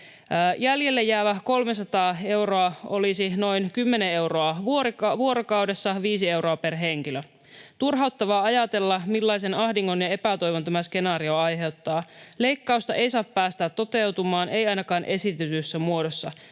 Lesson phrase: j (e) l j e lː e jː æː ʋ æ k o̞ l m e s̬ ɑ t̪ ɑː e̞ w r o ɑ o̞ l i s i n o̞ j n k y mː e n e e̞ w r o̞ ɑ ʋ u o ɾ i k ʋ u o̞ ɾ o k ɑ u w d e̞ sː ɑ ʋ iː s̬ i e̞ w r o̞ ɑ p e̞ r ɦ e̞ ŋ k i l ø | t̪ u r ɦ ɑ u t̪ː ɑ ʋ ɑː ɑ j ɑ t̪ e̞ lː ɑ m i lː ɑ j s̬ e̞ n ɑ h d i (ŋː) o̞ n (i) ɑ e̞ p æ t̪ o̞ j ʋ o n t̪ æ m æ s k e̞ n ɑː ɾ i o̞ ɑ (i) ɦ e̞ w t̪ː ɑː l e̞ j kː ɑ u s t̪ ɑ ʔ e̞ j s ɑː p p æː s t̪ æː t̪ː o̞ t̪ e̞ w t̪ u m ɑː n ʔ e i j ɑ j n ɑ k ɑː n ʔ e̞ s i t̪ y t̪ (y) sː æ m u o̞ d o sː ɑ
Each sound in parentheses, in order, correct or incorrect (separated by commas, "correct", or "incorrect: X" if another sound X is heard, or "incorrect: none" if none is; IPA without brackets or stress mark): incorrect: æ, correct, incorrect: j, incorrect: j, correct